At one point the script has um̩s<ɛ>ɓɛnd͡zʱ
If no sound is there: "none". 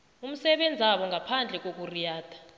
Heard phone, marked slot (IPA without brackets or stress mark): ɛ